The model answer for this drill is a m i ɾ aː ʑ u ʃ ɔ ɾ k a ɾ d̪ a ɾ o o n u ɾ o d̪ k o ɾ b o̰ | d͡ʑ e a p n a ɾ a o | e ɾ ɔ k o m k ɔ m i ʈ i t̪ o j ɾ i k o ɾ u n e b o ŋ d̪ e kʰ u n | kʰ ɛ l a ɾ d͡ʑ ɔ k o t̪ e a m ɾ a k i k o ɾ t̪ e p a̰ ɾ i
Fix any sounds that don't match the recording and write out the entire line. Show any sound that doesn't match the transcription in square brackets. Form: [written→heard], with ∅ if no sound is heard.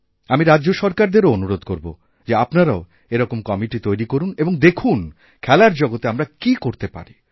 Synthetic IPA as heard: a m i ɾ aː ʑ [u→o] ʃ ɔ ɾ k a ɾ d̪ [a→e] ɾ o o n u ɾ o d̪ k o ɾ b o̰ | d͡ʑ e a p n a ɾ a o | e ɾ ɔ k o m k ɔ m i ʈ i t̪ o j ɾ i k o ɾ u n e b o ŋ d̪ e kʰ u n | kʰ ɛ l a ɾ d͡ʑ ɔ [k→ɡ] o t̪ e a m ɾ a k i k o ɾ t̪ e p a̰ ɾ i

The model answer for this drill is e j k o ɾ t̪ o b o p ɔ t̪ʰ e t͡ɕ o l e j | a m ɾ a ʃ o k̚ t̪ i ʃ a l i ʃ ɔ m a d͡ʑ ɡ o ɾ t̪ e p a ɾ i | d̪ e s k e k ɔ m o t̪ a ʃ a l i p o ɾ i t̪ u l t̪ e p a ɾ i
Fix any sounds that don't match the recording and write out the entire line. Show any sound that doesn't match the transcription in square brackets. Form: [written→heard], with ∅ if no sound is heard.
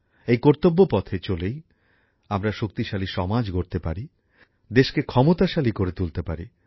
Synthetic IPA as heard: e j k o ɾ t̪ o [b→bː] o p ɔ t̪ʰ e t͡ɕ o l e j | a m ɾ a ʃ o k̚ t̪ i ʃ a l i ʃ ɔ m a d͡ʑ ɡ o ɾ t̪ e p a ɾ i | d̪ e [s→ʃ] k e [k→kʰ] ɔ m o t̪ a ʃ a l i [p→k] o ɾ [i→e] t̪ u l t̪ e p a ɾ i

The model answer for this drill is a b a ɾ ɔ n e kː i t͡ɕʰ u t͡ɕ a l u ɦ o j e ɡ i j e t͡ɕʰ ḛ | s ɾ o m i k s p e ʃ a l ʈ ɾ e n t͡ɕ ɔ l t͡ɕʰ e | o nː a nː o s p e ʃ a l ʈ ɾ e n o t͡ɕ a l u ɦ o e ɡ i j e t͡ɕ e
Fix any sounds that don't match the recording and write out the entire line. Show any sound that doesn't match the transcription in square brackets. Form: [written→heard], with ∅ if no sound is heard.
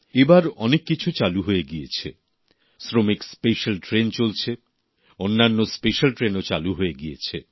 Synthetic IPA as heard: [a→e] b a ɾ ɔ n e kː i t͡ɕʰ u t͡ɕ a l u ɦ o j e ɡ i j e t͡ɕʰ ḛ | s ɾ o m i k s p e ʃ a l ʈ ɾ e n t͡ɕ [ɔ→o] l t͡ɕʰ e | o nː a nː o s p e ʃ a l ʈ ɾ e n o t͡ɕ a l u ɦ o e ɡ i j e [t͡ɕ→t͡ɕʰ] e

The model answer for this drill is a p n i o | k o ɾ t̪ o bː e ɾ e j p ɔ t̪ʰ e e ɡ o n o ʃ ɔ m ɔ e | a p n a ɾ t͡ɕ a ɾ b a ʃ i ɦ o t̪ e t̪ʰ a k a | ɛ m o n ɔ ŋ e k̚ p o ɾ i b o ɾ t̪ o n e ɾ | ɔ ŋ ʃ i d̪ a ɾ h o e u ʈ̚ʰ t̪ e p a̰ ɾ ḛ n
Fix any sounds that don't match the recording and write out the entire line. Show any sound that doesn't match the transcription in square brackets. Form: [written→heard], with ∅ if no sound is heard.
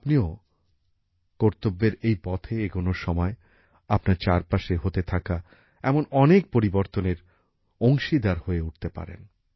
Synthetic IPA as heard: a p n i o | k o ɾ t̪ o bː e ɾ e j p ɔ t̪ʰ e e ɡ o n o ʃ ɔ m ɔ e | a p n a ɾ t͡ɕ a ɾ [b→p] a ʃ [i→e] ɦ o t̪ e t̪ʰ a k a | ɛ m o n ɔ [ŋ→n] e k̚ p o ɾ i b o ɾ t̪ o n e ɾ | [ɔ→o] ŋ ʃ i d̪ a ɾ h o e u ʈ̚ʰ t̪ e p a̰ ɾ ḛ n

